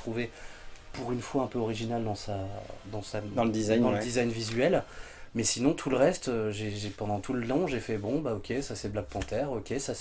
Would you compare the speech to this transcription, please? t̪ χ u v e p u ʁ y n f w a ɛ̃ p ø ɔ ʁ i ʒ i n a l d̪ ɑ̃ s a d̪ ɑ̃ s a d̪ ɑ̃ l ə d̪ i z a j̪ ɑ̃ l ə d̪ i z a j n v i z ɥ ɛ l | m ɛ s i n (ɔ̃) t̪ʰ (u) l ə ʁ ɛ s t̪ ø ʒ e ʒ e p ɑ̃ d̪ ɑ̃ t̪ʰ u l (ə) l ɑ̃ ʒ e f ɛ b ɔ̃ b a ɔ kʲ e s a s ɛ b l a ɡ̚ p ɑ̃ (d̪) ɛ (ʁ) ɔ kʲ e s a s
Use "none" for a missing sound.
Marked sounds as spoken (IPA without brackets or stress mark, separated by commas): ɔ̃, u, ə, t̪, ʁ